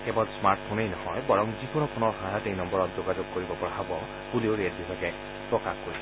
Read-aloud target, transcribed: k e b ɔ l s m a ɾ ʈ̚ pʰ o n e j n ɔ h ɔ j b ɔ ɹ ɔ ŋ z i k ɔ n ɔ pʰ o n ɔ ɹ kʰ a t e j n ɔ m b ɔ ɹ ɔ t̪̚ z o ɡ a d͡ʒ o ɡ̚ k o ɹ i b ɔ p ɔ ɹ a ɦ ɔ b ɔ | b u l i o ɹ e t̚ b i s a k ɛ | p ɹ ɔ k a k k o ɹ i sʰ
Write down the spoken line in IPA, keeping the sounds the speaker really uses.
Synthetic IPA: k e b ɔ l s m a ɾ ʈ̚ pʰ o n e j n ɔ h ɔ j b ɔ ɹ ɔ ŋ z i k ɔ n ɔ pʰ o n ɔ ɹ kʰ a t e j n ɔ m b ɔ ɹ ɔ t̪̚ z o ɡ a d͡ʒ o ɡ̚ k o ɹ i b ɔ p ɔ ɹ a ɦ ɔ b ɔ | b u l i o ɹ e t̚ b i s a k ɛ | p ɹ ɔ k a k k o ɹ i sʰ